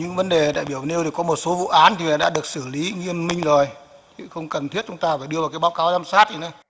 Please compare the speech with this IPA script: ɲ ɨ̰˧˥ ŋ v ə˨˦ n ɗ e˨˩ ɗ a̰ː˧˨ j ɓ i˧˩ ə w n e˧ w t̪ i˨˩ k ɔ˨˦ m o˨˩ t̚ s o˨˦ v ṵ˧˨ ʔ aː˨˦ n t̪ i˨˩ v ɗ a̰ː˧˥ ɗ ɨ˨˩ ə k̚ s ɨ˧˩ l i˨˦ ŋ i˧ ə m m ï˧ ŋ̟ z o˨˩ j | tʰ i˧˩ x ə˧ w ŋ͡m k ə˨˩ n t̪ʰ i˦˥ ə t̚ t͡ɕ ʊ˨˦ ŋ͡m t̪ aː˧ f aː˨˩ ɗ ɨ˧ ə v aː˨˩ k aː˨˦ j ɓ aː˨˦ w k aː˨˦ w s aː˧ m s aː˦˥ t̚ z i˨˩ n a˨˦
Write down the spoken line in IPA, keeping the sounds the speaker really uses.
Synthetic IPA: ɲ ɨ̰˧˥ ŋ v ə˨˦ n ɗ e˨˩ ɗ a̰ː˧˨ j ɓ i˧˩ ə w n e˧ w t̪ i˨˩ k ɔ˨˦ m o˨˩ t̚ s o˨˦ v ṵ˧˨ ʔ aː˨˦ n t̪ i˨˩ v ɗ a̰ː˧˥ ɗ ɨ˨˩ ə k̚ s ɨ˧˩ l i˨˦ ŋ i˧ ə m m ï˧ ŋ̟ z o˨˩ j | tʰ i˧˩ x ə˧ w ŋ͡m k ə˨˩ n t̪ʰ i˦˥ ə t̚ t͡ɕ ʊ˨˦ ŋ͡m t̪ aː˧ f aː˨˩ ɗ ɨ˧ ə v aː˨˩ k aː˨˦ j ɓ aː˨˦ w k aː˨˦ w z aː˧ m s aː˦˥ t̚ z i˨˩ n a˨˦

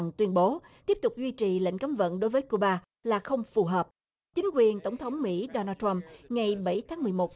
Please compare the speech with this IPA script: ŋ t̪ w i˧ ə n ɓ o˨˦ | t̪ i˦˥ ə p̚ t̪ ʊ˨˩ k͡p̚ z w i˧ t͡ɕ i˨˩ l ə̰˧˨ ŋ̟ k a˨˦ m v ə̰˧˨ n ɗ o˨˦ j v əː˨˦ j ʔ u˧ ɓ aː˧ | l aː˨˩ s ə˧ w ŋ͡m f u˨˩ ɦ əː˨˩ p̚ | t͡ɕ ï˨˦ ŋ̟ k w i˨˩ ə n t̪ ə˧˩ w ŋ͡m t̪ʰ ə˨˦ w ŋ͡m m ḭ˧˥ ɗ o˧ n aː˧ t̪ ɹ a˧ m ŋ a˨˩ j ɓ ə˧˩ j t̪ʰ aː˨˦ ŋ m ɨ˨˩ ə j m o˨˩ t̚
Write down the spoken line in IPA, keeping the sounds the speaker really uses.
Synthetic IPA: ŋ t̪ w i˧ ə n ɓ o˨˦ | t̪ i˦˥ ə p̚ t̪ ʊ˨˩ k͡p̚ z w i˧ t͡ɕ i˨˩ l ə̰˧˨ ŋ̟ k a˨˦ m v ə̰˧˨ n ɗ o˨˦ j v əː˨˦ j k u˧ ɓ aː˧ | l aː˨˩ x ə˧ w ŋ͡m f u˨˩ ɦ əː˨˩ p̚ | t͡ɕ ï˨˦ ŋ̟ k w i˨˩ ə n t̪ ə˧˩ w ŋ͡m t̪ʰ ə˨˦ w ŋ͡m m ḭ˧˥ ɗ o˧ n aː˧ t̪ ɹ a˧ m ŋ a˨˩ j ɓ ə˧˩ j t̪ʰ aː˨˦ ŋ m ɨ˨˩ ə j m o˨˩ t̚

